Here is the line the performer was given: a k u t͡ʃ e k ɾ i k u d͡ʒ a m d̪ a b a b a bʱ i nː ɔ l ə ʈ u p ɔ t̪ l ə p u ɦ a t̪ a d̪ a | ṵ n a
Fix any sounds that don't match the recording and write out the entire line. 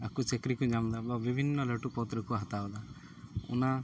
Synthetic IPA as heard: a k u t͡ʃ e k ɾ i k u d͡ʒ a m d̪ a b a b i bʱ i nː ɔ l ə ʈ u p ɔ t̪ ɾ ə k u ɦ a t̪ a d̪ a | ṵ n a